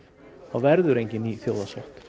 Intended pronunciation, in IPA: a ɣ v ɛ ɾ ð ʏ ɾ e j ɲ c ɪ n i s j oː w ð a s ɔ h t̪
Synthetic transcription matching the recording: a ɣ v ɛ ɾ ð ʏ ɾ e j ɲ c ɪ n i θ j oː w ð a s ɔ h t̪